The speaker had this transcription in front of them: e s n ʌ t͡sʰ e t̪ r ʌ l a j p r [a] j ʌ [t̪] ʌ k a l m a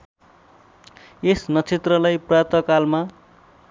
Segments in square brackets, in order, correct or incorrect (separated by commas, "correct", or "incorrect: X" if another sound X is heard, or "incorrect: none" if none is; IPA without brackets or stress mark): incorrect: ʌ, correct